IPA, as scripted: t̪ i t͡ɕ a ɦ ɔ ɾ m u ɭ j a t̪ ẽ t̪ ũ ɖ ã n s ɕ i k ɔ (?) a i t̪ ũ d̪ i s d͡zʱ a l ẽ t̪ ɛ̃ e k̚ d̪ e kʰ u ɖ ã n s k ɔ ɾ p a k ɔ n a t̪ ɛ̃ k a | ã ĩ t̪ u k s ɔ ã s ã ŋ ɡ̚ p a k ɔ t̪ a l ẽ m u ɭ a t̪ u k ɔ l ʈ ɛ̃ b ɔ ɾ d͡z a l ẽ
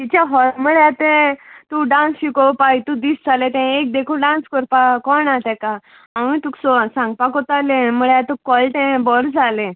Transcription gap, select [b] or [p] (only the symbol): p